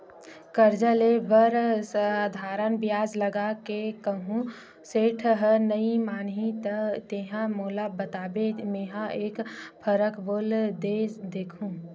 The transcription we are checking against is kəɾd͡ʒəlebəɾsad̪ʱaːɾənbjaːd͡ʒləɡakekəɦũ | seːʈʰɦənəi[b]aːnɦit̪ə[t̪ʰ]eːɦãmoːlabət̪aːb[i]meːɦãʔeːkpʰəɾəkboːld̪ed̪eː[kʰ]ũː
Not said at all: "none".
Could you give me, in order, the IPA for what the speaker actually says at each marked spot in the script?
m, t̪, e, kʰ

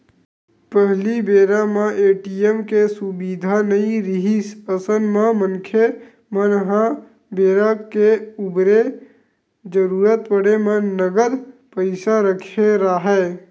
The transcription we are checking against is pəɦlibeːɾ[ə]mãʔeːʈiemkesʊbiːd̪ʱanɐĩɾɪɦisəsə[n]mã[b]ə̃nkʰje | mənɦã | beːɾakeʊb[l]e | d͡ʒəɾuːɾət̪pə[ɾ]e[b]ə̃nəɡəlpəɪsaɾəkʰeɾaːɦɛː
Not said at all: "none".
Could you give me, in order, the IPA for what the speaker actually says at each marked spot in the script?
a, n, m, ɾ, ɽ, m

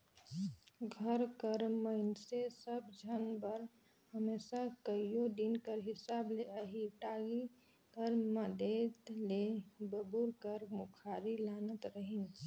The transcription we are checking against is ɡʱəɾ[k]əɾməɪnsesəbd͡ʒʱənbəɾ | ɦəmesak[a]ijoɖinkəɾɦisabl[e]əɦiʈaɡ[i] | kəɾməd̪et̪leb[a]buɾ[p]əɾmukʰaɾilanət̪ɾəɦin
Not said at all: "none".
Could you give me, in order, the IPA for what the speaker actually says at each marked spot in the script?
k, ə, e, i, ə, k

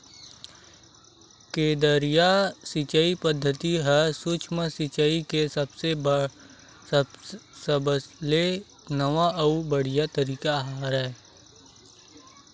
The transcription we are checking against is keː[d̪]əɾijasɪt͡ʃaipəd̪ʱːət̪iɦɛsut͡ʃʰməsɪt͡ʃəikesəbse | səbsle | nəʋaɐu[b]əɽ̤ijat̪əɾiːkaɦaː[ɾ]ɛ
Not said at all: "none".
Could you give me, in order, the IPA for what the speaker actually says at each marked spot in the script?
d̪, b, ɾ

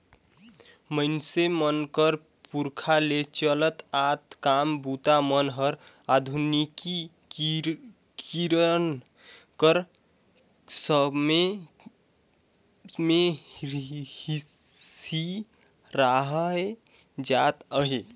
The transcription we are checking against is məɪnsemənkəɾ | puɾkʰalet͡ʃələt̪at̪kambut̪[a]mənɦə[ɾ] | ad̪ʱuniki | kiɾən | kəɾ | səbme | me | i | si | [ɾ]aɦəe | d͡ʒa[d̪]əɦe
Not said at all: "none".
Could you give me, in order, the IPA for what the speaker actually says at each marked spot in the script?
a, ɾ, ɾ, t̪

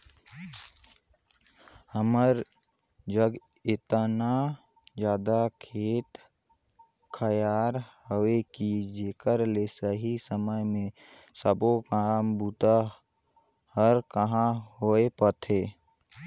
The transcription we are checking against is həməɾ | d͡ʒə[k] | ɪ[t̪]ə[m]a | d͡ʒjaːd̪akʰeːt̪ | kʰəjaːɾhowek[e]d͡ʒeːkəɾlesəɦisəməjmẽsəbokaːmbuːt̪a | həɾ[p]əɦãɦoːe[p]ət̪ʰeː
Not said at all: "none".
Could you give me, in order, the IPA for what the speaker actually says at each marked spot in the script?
ɡ, t̪, n, i, k, p

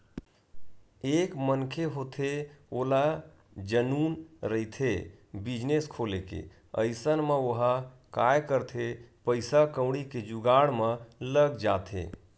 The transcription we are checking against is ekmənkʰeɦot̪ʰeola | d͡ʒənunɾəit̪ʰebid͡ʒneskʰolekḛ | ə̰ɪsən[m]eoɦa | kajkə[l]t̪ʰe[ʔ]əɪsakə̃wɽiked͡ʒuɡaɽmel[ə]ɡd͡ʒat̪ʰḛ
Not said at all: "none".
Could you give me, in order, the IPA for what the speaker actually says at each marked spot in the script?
m, ɾ, p, ə

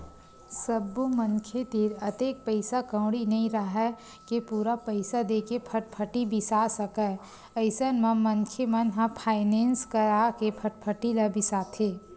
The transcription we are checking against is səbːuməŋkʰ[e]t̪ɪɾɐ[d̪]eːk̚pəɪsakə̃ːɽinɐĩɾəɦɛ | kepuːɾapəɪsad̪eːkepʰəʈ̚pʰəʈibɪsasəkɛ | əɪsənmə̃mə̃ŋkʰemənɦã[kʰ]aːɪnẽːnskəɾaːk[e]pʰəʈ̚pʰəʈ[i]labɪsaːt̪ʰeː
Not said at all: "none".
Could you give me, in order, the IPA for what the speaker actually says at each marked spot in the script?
e, t̪, pʰ, e, i

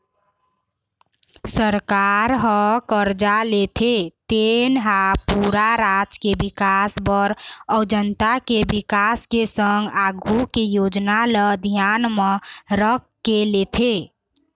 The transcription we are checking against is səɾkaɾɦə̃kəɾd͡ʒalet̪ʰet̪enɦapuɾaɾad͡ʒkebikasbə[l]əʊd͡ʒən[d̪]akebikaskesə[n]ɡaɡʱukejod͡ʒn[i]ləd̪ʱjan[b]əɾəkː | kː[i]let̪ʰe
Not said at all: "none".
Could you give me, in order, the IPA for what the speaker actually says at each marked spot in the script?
ɾ, t̪, ŋ, a, m, e

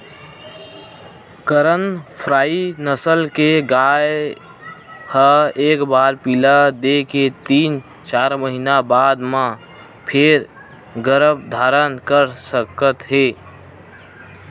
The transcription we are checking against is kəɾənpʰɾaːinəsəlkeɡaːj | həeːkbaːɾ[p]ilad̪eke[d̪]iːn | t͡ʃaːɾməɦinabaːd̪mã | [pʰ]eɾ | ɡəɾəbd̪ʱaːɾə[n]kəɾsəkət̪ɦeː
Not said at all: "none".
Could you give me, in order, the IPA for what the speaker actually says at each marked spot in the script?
p, t̪, pʰ, n

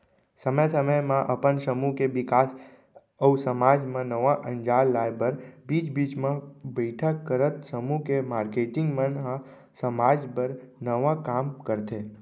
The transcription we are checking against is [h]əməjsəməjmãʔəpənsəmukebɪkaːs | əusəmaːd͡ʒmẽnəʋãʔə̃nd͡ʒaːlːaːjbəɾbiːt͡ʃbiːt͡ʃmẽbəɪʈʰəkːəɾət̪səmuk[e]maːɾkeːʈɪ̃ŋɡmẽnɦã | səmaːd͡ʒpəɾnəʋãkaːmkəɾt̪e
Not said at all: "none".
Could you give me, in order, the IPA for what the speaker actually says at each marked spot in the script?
s, e

